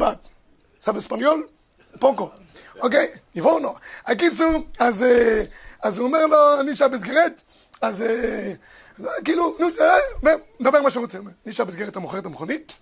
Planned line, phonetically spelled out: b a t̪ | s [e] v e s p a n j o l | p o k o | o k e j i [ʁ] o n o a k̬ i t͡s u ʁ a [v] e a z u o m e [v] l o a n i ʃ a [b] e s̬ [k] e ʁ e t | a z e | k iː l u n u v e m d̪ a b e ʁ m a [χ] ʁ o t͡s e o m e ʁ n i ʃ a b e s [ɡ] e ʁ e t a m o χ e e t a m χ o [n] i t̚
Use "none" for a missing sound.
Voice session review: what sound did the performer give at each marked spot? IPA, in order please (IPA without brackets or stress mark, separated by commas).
a, v, z, ʁ, b, ɡ, ʃ, ɡ, n